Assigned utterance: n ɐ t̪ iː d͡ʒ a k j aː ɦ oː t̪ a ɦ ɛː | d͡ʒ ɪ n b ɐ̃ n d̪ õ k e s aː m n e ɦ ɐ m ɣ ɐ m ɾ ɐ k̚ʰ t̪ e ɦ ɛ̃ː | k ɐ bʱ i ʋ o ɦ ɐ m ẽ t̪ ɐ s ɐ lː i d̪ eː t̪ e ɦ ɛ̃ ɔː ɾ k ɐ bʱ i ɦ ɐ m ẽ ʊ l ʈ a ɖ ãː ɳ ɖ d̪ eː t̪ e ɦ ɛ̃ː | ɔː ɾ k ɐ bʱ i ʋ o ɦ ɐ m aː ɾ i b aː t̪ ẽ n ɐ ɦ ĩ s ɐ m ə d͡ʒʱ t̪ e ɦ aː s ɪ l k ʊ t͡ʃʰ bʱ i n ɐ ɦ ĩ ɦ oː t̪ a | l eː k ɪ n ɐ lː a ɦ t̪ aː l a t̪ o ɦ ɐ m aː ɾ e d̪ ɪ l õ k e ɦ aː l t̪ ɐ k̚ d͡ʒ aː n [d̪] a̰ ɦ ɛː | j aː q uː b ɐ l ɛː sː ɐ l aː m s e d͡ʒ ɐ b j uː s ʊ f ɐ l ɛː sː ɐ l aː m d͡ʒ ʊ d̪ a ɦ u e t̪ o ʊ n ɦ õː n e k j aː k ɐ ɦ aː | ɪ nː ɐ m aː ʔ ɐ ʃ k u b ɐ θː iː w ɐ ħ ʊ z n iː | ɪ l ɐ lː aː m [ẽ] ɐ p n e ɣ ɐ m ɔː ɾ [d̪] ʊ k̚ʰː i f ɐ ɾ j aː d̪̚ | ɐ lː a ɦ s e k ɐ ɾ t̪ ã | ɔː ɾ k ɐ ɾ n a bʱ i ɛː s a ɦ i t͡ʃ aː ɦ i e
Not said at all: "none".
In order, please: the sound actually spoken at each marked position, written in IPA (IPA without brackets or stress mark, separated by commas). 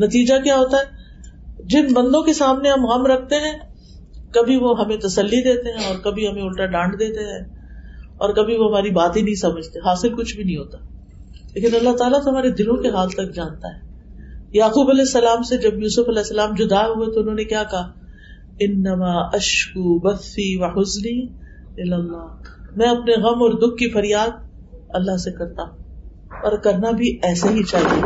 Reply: t̪, ɛ̃, d̪